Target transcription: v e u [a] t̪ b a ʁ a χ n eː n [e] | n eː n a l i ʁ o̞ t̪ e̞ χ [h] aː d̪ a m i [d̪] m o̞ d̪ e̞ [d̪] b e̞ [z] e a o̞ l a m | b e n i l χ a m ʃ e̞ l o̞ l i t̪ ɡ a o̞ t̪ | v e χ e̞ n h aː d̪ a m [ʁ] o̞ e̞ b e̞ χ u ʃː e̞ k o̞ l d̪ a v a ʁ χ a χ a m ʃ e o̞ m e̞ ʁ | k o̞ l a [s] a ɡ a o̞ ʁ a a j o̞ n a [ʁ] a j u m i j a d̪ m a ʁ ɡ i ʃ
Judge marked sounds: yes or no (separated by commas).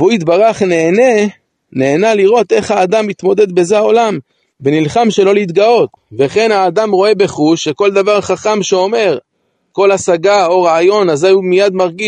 no, yes, yes, no, yes, yes, yes, yes, no